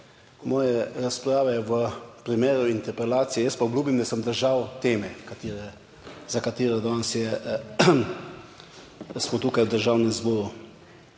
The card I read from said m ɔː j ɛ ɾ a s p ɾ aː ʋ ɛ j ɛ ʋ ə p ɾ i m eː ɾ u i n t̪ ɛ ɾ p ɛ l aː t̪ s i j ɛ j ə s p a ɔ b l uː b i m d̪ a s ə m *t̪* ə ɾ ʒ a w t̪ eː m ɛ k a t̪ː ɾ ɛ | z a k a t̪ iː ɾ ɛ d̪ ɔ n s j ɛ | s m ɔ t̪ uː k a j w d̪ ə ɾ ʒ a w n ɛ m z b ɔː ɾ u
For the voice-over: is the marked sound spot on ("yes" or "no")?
no